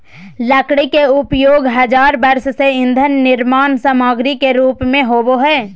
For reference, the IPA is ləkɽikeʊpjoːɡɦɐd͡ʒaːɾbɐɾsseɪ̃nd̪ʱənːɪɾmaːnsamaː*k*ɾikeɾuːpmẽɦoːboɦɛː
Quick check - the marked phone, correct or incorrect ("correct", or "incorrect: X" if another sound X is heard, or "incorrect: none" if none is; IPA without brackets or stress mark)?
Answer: incorrect: ɡ